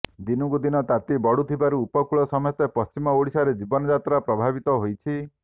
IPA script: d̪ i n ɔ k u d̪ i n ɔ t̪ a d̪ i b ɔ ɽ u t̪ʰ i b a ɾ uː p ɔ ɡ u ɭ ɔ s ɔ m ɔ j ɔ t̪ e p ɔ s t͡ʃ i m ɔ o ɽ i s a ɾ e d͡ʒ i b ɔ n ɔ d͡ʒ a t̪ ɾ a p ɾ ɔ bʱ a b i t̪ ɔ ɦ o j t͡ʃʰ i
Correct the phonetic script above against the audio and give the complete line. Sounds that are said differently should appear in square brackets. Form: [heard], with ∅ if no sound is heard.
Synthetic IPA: d̪ i n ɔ k u d̪ i n ɔ t̪ a [t̪] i b ɔ ɽ u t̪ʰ i b a ɾ uː p ɔ [k] u ɭ ɔ s ɔ m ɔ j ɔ t̪ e p ɔ s t͡ʃ i m ɔ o ɽ i s a ɾ e d͡ʒ i b ɔ n ɔ d͡ʒ a t̪ ɾ a p ɾ ɔ bʱ a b i t̪ ɔ ɦ o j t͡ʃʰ i